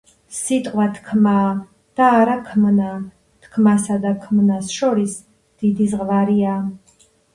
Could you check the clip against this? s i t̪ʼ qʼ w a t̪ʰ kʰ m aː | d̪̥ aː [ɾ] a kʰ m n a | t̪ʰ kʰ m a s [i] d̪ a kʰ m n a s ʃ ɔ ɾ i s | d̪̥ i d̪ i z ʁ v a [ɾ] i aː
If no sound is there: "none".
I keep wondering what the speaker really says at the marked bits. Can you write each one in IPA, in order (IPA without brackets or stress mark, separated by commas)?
ɾ, a, ɾ